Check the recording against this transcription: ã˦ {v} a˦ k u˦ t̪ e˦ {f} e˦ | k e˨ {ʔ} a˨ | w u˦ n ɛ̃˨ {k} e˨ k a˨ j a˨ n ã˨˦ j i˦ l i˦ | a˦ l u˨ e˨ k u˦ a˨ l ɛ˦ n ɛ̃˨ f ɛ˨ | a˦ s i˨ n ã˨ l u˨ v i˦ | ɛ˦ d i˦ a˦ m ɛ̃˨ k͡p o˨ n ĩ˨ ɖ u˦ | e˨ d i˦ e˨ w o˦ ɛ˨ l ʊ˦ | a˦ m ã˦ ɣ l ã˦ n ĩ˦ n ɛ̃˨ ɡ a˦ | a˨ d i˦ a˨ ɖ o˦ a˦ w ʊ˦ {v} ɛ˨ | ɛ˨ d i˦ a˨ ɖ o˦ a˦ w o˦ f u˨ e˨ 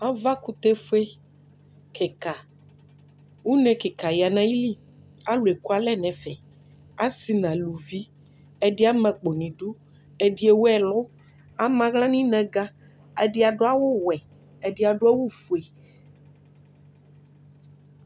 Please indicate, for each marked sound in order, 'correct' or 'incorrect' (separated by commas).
correct, correct, incorrect, correct, incorrect